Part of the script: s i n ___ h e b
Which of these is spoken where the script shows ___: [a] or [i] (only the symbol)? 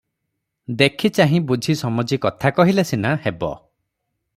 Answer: a